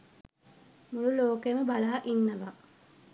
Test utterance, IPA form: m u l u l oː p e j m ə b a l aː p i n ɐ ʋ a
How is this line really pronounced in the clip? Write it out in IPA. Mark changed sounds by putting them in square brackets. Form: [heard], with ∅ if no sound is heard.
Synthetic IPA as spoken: m u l u l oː [k] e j m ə b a l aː [ʔ] i [nː] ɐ ʋ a